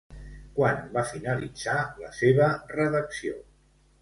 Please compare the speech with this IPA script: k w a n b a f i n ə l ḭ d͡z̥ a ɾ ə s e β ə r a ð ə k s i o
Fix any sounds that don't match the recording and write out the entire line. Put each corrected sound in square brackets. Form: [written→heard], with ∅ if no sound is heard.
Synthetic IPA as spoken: k w a n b a f i n ə l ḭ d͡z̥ a [ɾ→l] ə s e β ə r [a→ə] ð ə k s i o